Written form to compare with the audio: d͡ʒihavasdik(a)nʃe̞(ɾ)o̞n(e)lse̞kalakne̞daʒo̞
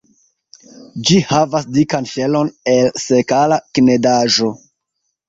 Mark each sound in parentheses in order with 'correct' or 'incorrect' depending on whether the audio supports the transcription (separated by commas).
correct, incorrect, correct